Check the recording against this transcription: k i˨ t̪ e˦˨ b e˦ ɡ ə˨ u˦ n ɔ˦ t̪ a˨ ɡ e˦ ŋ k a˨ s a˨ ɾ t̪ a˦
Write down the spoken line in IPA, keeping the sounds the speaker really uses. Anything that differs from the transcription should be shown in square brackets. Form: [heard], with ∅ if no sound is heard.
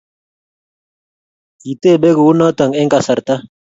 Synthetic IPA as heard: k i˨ t̪ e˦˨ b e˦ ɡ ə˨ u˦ n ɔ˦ t̪ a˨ [ŋ] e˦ ŋ k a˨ s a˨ ɾ t̪ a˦